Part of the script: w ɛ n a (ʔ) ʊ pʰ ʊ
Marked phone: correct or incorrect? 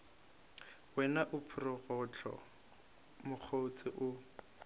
correct